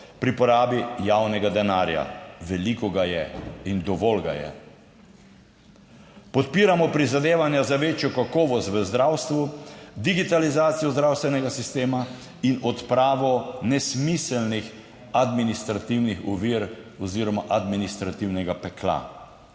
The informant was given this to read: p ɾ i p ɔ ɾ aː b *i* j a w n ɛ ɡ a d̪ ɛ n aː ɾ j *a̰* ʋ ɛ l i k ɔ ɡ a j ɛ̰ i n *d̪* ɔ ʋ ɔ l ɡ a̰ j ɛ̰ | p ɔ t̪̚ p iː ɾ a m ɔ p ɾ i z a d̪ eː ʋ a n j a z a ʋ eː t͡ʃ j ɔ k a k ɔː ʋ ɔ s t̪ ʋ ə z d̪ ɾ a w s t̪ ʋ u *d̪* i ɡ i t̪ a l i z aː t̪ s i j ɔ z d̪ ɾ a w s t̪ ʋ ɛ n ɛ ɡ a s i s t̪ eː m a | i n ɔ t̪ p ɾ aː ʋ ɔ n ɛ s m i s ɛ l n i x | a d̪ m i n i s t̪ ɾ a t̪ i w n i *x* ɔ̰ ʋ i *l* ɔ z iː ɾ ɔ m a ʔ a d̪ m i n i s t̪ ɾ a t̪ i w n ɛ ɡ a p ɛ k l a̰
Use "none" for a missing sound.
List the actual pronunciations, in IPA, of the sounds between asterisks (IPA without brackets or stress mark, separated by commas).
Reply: i, a̰, d̪, d̪, x, ɾ